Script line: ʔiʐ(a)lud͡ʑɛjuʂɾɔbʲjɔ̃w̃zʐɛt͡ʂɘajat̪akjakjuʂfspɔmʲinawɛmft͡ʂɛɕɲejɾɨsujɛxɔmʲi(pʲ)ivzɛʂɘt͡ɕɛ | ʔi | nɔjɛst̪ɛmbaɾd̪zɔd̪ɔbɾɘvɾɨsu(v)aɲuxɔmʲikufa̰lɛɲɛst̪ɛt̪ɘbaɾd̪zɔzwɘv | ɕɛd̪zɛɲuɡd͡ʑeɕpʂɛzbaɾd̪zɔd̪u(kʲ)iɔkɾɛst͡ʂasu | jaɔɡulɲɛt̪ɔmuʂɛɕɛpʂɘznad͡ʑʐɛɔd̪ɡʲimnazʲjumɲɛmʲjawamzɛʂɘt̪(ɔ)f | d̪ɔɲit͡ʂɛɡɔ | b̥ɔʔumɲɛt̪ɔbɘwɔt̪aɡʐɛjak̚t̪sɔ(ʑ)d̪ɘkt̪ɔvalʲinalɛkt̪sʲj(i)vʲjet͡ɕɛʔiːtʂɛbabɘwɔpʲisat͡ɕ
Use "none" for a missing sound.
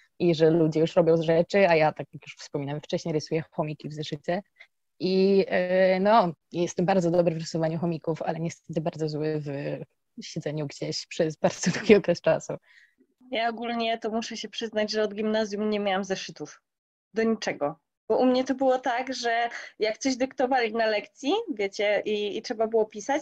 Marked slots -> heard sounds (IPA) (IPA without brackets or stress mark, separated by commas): ɛ, kʲ, v, ɡʲ, u, ʑ, i